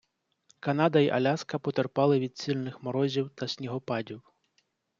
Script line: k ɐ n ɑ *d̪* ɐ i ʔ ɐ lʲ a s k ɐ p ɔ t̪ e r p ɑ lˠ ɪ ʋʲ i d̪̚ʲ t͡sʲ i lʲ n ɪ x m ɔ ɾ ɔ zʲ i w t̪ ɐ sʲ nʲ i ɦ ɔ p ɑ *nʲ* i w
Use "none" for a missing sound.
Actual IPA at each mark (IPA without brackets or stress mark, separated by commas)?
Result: d̪, dʲ